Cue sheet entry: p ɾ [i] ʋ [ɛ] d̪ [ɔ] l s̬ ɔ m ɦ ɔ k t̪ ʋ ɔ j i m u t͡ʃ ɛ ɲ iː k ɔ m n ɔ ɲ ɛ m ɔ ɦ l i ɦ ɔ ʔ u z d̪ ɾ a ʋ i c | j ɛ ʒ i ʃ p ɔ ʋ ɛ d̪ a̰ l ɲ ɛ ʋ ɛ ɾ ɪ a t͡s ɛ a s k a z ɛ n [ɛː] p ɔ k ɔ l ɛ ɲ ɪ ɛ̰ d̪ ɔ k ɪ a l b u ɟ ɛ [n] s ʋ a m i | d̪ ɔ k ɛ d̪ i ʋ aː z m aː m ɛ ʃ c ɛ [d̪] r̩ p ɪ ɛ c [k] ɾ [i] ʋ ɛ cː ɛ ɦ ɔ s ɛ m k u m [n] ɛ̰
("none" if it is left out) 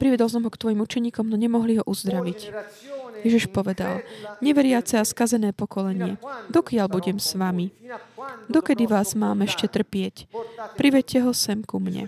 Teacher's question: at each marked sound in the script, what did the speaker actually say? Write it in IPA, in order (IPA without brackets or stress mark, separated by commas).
i, ɛ, ɔ, ɛː, m, t̪, p, i, ɲ